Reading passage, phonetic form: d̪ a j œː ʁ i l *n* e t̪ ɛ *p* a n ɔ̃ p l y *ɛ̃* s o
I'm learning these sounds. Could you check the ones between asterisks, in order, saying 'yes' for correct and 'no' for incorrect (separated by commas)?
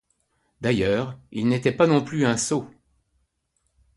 yes, yes, yes